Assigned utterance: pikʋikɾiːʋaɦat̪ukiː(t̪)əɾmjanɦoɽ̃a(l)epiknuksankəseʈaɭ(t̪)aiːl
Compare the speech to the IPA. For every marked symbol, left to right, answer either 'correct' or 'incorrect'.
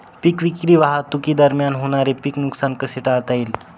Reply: incorrect: d̪, incorrect: ɾ, correct

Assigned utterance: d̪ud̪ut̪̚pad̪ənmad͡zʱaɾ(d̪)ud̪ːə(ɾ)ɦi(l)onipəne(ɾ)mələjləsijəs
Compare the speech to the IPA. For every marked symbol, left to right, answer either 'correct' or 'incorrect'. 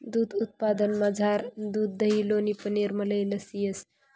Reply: correct, incorrect: none, correct, correct

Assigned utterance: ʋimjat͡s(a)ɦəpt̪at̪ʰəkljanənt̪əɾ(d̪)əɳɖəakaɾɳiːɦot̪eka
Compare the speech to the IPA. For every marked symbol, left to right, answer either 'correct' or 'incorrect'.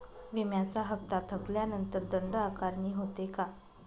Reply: correct, correct

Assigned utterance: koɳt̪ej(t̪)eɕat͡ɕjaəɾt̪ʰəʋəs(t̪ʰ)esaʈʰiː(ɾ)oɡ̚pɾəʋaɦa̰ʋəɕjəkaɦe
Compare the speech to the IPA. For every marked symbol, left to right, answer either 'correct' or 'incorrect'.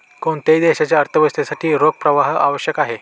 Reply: incorrect: d̪, incorrect: t̪, correct

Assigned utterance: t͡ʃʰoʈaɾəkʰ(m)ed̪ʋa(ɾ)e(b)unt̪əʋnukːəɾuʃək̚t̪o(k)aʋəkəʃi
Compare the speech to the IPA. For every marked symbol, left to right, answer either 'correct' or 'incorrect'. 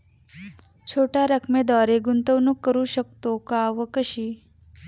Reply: correct, correct, incorrect: ɡ, correct

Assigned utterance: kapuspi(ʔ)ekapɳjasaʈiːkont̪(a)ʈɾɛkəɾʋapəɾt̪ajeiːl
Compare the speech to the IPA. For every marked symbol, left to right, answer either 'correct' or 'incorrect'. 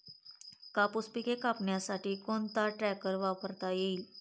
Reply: incorrect: k, correct

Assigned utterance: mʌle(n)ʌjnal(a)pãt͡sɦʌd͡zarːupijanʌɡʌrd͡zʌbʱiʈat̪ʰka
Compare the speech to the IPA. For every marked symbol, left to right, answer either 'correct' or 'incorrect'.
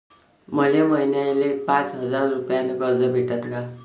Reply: incorrect: m, incorrect: e

